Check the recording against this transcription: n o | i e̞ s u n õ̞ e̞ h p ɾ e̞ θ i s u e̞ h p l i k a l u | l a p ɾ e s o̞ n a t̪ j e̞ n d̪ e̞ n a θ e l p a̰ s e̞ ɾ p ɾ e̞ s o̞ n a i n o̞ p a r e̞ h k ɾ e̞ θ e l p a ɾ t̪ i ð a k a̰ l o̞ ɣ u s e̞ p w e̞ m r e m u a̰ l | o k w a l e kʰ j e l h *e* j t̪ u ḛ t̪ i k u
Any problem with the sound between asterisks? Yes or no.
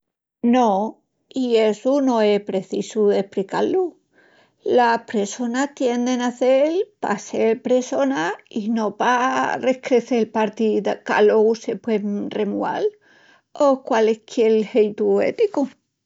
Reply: no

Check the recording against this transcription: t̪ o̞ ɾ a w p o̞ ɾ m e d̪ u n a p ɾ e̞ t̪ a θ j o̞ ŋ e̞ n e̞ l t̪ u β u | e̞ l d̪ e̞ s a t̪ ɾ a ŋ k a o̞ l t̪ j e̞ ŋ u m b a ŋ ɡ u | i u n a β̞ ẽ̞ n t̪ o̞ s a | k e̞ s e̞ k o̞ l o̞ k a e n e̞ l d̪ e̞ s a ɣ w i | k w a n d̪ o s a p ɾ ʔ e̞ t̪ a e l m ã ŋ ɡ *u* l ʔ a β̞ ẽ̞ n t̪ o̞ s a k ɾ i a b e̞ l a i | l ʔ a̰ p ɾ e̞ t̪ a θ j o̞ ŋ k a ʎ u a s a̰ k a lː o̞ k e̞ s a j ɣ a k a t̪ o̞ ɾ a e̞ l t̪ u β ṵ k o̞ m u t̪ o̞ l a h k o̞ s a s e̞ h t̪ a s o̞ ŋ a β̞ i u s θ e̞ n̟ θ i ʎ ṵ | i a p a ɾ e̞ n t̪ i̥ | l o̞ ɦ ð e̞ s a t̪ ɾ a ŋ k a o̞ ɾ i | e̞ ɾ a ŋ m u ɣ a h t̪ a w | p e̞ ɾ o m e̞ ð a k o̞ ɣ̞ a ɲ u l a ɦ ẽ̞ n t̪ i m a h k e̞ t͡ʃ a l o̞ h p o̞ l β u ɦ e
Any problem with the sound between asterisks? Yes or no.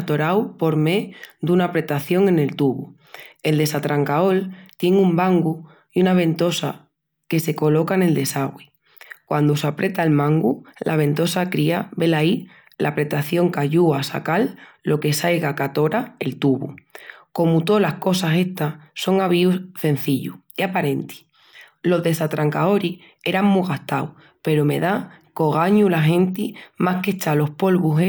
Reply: no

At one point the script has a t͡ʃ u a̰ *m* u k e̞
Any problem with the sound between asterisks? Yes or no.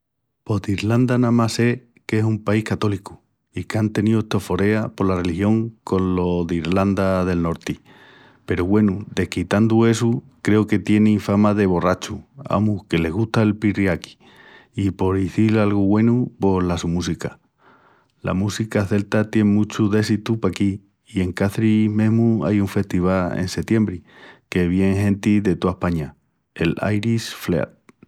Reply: no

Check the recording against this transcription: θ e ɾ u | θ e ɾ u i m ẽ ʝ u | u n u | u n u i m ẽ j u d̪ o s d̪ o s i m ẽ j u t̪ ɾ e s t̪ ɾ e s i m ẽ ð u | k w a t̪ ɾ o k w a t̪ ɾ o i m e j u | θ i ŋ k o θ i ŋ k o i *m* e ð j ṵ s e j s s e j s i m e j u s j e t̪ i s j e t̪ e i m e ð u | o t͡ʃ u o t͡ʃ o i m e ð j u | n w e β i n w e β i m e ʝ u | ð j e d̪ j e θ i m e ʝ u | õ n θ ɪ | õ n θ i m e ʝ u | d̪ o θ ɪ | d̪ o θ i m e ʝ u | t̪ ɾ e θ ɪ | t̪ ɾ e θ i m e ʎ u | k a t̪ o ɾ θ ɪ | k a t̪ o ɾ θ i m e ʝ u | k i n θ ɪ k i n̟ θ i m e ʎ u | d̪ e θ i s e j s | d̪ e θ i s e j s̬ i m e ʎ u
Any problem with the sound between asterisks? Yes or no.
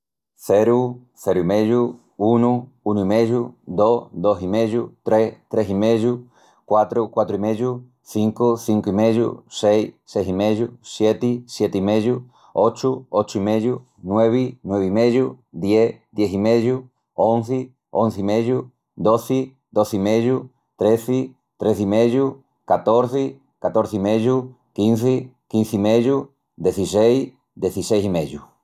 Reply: no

